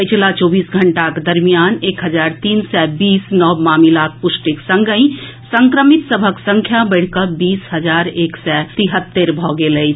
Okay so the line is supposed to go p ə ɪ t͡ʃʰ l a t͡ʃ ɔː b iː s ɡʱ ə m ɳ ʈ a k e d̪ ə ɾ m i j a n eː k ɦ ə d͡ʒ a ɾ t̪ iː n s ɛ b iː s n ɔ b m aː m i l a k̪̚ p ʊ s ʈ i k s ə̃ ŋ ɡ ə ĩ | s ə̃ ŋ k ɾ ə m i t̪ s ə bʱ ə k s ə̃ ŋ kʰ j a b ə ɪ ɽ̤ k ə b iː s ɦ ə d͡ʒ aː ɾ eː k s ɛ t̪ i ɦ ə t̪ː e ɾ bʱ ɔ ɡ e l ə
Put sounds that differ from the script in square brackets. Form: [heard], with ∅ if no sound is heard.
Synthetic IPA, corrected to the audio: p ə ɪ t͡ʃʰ l a t͡ʃ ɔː b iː s ɡʱ ə [∅] ɳ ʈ a k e d̪ ə ɾ m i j a n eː k ɦ ə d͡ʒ a ɾ t̪ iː n s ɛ b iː s n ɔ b m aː m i l a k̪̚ p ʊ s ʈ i k s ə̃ ŋ ɡ ə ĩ | s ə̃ ŋ k ɾ ə m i t̪ s ə bʱ ə k s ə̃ ŋ kʰ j a b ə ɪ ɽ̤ k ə b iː s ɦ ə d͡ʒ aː ɾ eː k s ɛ t̪ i ɦ ə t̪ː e ɾ bʱ ɔ ɡ e l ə